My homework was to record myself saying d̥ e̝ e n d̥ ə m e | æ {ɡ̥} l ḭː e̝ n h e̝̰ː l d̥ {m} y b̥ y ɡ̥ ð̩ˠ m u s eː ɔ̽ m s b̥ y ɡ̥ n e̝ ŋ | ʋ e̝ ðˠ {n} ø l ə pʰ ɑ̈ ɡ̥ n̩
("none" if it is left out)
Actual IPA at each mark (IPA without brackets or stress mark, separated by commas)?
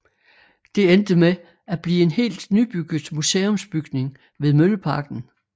b̥, n, m